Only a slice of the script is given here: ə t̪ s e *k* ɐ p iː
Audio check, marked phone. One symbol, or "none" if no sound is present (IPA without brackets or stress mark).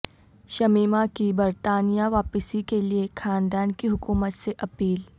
ʔ